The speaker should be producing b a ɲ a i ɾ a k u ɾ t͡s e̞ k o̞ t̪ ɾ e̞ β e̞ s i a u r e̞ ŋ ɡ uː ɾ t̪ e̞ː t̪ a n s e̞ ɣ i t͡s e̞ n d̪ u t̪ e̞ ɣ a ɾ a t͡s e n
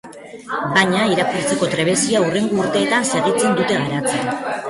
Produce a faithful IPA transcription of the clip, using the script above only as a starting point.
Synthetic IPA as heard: b a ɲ a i ɾ a k u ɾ t͡s e̞ k o̞ t̪ ɾ e̞ β e̞ s i a u r e̞ ŋ ɡ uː ɾ t̪ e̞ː t̪ a n s e̞ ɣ i t͡s e̞ n d̪ u t̪ e̞ ɣ a ɾ a t͡s e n